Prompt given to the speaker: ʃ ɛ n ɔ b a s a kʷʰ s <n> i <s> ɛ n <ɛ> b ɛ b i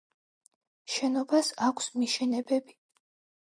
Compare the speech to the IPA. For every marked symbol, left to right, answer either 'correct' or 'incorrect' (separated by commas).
incorrect, incorrect, correct